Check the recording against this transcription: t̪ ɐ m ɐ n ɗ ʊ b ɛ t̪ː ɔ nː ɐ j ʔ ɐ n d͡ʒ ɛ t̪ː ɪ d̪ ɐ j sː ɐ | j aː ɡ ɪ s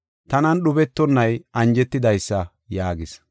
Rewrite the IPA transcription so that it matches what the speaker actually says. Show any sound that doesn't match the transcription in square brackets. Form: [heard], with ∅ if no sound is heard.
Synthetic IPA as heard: t̪ ɐ [n] ɐ n ɗ ʊ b ɛ t̪ː ɔ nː ɐ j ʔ ɐ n d͡ʒ ɛ t̪ː ɪ d̪ ɐ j sː ɐ | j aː ɡ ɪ s